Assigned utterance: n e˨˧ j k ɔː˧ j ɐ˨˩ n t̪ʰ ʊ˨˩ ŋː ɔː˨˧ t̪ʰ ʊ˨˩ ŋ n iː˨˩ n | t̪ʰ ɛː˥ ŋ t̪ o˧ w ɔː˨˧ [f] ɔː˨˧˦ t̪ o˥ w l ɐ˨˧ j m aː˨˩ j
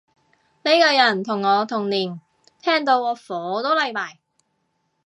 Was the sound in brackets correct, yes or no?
yes